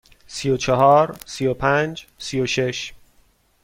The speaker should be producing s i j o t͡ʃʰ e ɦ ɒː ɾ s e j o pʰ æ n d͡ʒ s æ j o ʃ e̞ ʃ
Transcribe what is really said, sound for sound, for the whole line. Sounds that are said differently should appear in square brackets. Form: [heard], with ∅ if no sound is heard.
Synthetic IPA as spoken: s i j o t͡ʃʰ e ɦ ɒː ɾ s [i] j o pʰ æ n d͡ʒ s [i] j o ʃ e̞ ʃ